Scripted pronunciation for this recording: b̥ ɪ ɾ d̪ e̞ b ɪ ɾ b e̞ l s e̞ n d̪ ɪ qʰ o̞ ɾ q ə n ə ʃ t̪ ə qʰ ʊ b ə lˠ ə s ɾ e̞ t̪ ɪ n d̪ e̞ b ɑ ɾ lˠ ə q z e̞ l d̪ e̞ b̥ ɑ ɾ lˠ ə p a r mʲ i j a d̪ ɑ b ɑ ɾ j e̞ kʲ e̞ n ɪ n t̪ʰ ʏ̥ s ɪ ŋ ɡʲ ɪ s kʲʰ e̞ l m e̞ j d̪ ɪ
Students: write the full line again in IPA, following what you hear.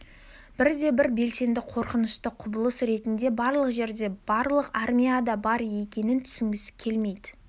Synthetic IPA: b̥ ɪ ɾ d̪ e̞ b ɪ ɾ b e̞ l s e̞ n d̪ ɪ qʰ o̞ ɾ q ə n ə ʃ t̪ ə qʰ ʊ b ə lˠ ə s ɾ e̞ t̪ ɪ n d̪ e̞ b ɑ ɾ lˠ ə q ʒ e̞ ɾ d̪ e̞ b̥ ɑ ɾ lˠ ə q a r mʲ i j a d̪ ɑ b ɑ ɾ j e̞ kʲ e̞ n ɪ n t̪ʰ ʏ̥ s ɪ ŋ ɡʲ ɪ s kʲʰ e̞ l m e̞ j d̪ ɪ